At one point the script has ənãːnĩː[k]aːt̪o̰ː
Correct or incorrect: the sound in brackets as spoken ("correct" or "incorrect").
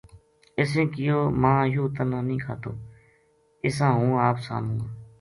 incorrect